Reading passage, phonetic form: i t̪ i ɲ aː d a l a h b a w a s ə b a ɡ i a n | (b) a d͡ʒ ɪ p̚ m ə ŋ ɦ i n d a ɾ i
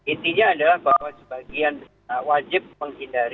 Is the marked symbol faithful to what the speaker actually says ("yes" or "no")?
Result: no